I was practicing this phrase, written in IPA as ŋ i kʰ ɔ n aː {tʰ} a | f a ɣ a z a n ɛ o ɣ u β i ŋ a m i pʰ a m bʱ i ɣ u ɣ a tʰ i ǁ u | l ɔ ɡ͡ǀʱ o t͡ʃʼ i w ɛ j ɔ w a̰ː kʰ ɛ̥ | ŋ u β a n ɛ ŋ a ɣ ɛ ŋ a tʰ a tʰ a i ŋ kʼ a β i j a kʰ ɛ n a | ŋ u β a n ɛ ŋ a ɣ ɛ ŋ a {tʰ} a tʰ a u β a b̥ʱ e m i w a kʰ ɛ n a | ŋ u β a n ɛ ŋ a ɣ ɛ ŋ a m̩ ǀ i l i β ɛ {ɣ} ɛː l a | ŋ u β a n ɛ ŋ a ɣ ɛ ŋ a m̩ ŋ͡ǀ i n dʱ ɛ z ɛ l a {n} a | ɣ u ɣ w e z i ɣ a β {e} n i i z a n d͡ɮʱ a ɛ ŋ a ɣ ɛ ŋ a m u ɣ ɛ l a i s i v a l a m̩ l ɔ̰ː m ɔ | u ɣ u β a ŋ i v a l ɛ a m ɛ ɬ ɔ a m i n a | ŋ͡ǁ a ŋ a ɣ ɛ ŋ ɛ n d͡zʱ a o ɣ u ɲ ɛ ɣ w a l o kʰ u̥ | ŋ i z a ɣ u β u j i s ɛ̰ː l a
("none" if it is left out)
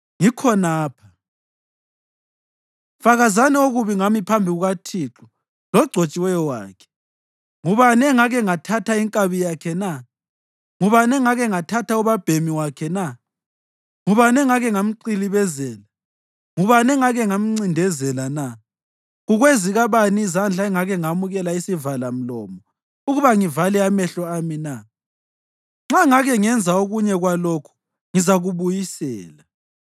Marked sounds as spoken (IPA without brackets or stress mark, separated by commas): pʰ, tʰ, z, n, a